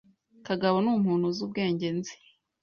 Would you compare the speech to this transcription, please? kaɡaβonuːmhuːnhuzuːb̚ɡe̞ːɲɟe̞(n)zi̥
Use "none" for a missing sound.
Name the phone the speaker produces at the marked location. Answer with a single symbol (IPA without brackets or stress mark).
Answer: n